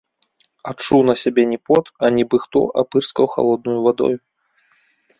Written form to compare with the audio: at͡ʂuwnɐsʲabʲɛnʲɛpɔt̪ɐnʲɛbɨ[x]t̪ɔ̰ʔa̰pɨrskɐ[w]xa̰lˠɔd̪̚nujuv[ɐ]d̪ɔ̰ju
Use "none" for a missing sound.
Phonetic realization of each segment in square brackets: x, w, a

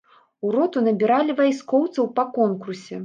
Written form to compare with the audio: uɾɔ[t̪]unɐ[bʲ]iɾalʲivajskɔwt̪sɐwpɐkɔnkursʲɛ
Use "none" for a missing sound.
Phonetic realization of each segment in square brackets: t̪, bʲ

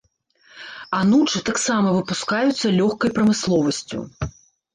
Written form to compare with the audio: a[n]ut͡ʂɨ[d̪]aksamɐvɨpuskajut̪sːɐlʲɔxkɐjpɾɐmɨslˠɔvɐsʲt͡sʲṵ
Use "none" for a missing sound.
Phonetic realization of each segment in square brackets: n, t̪

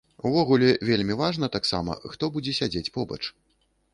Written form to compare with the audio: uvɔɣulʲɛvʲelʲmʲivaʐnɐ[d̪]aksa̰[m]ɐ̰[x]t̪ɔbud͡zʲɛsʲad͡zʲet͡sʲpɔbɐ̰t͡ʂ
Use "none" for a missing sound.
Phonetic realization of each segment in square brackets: t̪, m, x

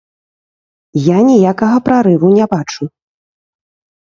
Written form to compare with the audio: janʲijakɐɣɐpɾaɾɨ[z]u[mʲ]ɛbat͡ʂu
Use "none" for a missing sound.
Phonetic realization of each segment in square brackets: v, nʲ

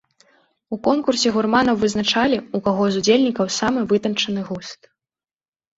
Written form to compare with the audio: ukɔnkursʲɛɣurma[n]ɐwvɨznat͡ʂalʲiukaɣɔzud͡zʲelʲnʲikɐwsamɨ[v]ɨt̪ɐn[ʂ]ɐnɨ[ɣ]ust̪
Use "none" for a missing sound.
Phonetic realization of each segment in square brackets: n, v, t͡ʂ, ɣ

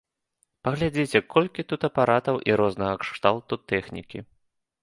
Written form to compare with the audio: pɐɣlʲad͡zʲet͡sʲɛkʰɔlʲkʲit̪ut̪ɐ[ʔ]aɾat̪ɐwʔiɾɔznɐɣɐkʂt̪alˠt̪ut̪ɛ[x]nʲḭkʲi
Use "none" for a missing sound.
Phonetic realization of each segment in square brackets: p, x

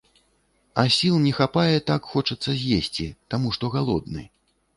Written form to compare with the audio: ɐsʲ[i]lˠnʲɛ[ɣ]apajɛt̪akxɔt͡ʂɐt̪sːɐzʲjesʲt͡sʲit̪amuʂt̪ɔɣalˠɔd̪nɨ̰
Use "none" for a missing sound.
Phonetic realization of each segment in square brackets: i, x

